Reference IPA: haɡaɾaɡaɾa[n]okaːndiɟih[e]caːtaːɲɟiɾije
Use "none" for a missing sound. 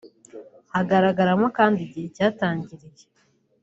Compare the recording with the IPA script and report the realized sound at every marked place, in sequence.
m, e

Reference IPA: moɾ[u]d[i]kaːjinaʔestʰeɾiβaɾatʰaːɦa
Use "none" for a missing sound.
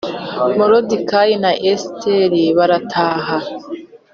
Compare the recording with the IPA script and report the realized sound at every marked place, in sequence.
o, i

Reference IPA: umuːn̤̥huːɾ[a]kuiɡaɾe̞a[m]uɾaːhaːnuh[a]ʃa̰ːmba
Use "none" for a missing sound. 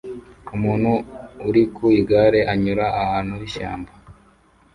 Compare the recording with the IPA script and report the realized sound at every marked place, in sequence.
i, ɲ, i

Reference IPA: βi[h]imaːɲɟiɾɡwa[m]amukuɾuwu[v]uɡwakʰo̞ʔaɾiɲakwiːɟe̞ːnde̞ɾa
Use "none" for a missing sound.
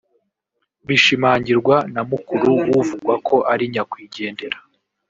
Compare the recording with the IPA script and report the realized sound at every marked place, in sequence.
ʃ, n, v

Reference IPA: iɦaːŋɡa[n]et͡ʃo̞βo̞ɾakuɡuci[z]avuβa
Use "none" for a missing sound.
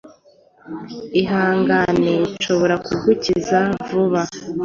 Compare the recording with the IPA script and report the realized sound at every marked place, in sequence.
n, z

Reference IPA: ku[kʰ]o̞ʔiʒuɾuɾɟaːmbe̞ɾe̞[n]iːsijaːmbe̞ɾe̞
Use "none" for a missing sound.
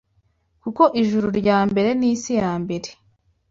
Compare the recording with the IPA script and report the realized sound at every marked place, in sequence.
k, n

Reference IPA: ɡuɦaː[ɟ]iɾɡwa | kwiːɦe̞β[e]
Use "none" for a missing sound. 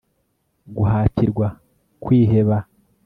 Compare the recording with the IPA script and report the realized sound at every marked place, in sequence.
c, a

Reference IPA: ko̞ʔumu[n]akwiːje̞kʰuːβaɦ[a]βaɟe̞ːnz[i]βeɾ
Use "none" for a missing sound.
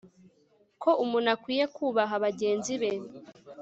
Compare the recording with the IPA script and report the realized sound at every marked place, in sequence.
n, a, i

